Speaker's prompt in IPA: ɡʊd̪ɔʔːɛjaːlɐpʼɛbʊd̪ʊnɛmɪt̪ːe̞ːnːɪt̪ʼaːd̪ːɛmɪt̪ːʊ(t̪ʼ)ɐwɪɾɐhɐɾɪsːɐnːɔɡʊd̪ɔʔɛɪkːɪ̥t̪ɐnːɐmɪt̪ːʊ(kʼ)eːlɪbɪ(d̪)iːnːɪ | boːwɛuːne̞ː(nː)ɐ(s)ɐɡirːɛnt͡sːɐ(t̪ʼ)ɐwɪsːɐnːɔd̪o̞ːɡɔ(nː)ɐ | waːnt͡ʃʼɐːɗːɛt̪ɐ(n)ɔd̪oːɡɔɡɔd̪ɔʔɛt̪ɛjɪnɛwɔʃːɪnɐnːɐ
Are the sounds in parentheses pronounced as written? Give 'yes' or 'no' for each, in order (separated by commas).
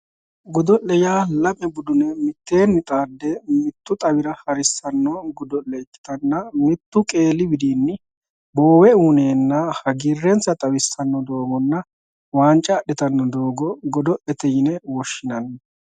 yes, yes, yes, yes, no, yes, yes, no